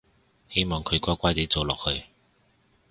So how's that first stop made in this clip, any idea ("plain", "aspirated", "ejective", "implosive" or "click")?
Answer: aspirated